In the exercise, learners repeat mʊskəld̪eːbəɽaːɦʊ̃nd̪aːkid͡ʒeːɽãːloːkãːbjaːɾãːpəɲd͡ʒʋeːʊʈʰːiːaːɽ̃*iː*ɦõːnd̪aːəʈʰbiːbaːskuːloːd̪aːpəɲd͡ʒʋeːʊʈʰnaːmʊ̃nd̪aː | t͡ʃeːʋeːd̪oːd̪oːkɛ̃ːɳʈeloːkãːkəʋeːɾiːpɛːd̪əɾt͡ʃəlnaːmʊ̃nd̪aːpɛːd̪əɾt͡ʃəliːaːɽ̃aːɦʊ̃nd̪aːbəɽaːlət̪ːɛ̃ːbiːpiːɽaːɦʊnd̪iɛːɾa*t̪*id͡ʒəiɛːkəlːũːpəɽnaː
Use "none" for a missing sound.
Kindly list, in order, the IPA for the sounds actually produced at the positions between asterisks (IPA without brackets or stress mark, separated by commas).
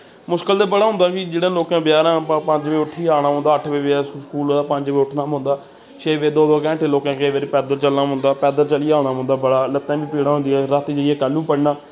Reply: aː, t̪